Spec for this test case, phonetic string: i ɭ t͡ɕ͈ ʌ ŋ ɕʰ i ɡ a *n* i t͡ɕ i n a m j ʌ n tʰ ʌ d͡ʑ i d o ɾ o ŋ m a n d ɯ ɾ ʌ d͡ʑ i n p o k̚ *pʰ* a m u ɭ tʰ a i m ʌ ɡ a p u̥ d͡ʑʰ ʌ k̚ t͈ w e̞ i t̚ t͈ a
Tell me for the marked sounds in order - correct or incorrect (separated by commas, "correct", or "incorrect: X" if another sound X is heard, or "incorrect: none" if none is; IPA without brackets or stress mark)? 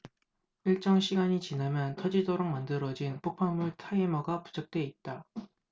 incorrect: ɲ, correct